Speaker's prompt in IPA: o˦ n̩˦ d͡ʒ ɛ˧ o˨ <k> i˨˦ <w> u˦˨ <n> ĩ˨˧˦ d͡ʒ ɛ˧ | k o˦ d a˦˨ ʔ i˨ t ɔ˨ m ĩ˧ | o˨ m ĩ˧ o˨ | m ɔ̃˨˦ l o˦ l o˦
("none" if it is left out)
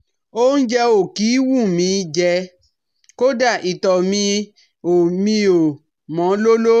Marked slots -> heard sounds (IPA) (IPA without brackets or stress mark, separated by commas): k, w, m